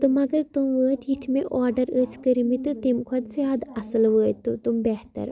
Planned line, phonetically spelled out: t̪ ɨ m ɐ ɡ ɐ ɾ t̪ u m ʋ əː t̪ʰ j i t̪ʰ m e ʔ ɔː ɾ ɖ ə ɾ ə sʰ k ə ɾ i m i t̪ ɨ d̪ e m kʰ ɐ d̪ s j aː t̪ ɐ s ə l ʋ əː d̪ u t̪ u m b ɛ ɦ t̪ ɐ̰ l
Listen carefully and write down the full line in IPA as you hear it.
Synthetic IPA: t̪ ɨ m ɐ ɡ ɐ ɾ t̪ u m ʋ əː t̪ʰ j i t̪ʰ m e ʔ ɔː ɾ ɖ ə ɾ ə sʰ k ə ɾ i m i t̪ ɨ t̪ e m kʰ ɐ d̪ s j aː d̪ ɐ s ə l ʋ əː t̪ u t̪ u m b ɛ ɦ t̪ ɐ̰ ɾ